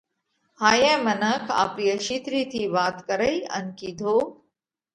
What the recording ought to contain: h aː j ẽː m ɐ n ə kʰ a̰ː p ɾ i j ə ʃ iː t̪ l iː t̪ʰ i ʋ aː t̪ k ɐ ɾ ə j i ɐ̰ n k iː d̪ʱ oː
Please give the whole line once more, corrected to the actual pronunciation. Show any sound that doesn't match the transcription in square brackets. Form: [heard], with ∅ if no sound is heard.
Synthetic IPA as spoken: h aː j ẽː m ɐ n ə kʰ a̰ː p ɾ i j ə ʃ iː t̪ [ɾ] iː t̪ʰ i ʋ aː t̪ k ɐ ɾ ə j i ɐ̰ n k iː d̪ʱ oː